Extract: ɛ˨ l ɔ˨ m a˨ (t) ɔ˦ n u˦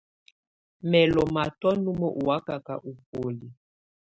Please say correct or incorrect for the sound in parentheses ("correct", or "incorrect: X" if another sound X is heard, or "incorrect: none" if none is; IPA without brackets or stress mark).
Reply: correct